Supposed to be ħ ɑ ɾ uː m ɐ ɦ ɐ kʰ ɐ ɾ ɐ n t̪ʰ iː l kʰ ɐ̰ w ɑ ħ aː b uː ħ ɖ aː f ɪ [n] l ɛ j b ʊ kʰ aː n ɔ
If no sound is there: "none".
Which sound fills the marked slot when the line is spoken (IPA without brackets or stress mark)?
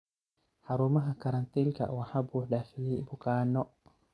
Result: none